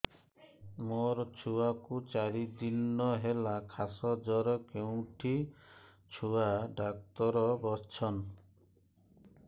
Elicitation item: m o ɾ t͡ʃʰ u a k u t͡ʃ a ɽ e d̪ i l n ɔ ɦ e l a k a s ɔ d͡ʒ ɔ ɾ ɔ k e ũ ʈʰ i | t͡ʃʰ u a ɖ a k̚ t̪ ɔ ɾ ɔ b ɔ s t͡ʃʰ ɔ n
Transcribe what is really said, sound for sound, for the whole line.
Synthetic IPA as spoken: m o ɾ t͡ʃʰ u a k u t͡ʃ a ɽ i d̪ i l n ɔ ɦ e l a kʰ a s ɔ d͡ʒ ɔ ɾ ɔ k e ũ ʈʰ i | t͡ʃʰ u a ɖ a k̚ t̪ ɔ ɾ ɔ b ɔ s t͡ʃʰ ɔ n